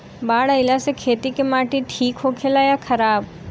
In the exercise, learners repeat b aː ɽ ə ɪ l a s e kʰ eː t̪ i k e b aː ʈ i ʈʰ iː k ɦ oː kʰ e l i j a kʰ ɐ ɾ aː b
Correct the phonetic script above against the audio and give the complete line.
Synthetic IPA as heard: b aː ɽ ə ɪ l a s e kʰ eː t̪ i k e m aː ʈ i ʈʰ iː k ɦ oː kʰ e l a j a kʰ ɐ ɾ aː b

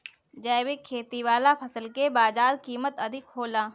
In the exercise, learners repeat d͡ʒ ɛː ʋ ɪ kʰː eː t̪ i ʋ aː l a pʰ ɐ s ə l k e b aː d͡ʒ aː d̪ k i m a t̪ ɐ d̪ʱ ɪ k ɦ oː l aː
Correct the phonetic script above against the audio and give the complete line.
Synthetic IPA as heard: d͡ʒ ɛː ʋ ɪ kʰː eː t̪ i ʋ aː l a pʰ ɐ s ə l k e b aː d͡ʒ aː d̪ k iː m ə t̪ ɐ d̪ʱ ɪ k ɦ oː l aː

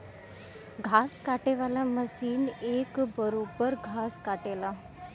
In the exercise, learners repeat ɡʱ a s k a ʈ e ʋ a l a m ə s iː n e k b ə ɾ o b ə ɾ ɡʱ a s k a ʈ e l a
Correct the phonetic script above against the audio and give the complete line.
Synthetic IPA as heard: ɡʱ a s k a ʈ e ʋ a l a m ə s iː n e k b ə ɾ o b ə ɾ ɡʱ a s k a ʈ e l a

